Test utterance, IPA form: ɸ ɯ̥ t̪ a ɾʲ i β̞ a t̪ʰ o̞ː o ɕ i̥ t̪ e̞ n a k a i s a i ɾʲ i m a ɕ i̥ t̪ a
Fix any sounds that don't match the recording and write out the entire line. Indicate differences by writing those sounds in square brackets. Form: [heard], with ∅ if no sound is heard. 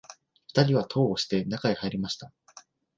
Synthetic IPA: ɸ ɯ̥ t̪ a ɾʲ i β̞ a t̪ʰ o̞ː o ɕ i̥ t̪ e̞ n a k a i [h] a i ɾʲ i m a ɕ i̥ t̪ a